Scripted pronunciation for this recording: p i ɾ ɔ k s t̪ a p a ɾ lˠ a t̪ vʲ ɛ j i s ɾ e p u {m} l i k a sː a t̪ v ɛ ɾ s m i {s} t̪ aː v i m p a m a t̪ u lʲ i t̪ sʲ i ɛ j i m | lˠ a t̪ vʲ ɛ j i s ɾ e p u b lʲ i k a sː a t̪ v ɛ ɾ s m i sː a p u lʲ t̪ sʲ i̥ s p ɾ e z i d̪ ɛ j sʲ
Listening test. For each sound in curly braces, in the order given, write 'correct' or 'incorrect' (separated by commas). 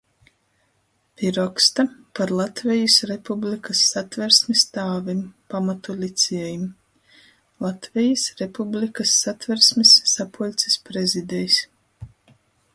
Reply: incorrect, correct